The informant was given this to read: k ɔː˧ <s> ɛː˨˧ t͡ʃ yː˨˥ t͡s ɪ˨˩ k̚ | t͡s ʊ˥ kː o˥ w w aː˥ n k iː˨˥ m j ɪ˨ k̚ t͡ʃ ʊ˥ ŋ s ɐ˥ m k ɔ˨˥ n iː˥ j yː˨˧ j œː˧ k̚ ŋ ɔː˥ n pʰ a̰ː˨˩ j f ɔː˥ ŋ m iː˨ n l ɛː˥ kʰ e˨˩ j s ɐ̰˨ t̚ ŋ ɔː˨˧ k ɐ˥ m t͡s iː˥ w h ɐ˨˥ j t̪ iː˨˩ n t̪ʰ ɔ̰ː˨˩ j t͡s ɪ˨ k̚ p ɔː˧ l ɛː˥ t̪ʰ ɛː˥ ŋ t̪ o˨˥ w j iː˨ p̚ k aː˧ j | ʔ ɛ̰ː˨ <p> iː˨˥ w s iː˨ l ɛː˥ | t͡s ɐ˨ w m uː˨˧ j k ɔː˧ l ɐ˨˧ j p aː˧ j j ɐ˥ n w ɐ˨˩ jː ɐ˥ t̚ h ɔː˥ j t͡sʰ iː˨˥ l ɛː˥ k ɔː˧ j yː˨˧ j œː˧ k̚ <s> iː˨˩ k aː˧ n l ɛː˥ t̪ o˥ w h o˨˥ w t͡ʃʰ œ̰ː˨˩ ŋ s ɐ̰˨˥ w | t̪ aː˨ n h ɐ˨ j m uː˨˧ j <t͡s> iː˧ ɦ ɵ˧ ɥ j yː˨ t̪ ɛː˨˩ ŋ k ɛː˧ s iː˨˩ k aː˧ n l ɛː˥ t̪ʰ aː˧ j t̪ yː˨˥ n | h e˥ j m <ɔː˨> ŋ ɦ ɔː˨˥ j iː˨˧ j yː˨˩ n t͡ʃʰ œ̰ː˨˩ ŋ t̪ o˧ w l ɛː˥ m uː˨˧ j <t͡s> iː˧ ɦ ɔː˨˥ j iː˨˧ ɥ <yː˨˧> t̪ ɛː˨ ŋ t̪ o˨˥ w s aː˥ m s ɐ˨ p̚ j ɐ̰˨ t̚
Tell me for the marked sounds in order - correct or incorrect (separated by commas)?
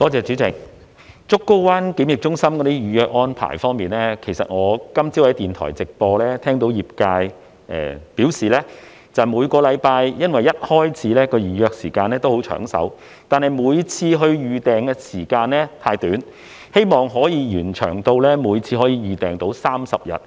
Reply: incorrect, correct, correct, incorrect, correct, incorrect, correct